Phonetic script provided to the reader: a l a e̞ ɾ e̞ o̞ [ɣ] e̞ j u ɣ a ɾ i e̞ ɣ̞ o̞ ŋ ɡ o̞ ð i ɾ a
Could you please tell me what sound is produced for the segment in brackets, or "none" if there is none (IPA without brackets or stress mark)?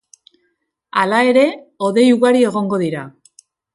ð